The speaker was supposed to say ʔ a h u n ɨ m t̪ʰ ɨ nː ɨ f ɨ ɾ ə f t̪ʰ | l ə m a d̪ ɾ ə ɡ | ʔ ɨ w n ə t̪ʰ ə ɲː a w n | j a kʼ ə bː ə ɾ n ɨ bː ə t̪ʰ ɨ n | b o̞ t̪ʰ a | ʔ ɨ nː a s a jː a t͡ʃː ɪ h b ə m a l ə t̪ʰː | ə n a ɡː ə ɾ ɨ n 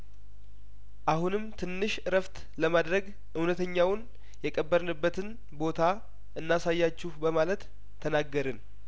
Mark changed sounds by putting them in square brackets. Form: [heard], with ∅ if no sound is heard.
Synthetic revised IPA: ʔ a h u n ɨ m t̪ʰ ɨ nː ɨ [ʃ] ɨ ɾ ə f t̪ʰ | l ə m a d̪ ɾ ə ɡ | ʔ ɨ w n ə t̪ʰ ə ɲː a w n | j [ɛ] kʼ ə bː ə ɾ n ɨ bː ə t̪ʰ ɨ n | b o̞ t̪ʰ a | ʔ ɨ nː a s a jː a t͡ʃː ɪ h b ə m a l ə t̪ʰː | ə n a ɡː ə ɾ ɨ n